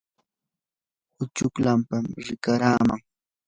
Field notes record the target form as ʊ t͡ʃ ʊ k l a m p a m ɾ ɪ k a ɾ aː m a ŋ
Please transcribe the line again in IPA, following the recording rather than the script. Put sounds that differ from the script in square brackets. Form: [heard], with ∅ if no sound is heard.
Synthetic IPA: ʊ t͡ʃ ʊ k l a m p a m ɾ ɪ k a ɾ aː m a ŋ